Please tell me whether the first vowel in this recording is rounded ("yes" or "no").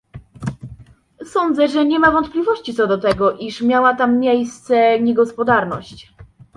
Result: yes